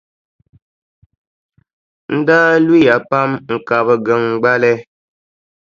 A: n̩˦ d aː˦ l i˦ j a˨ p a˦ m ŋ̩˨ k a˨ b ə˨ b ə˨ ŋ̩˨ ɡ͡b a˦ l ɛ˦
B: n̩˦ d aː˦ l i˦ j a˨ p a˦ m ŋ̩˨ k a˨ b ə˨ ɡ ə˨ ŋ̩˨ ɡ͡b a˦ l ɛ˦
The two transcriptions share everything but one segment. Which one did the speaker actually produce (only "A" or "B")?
B